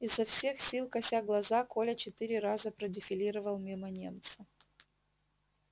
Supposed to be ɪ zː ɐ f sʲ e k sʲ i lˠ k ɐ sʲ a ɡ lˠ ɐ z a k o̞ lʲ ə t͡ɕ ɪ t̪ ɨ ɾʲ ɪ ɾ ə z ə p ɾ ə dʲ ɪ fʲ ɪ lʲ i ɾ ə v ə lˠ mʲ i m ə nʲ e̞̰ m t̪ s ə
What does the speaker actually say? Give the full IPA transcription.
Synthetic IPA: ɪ zː ɐ f sʲ e x sʲ i lˠ k ɐ sʲ a ɡ lˠ ɐ z a k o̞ lʲ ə t͡ɕ ɪ t̪ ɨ ɾʲ ɪ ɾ a z ə p ɾ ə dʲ ɪ fʲ ɪ lʲ i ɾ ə v ə lˠ mʲ i m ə nʲ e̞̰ m t̪ s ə

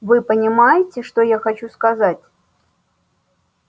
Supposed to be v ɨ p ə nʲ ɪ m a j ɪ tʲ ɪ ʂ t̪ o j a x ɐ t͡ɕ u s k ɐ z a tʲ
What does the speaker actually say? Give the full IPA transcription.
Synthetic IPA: v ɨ p ə nʲ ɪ m a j ɪ tʲ ɪ ʂ t̪ o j a x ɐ t͡ɕ u s k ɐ z a tʲ

